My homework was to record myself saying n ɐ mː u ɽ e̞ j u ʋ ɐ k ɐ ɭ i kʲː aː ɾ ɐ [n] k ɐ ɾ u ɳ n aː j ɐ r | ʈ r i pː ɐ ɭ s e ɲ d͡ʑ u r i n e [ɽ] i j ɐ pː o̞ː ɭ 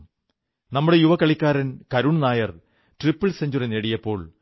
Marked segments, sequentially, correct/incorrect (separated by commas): correct, correct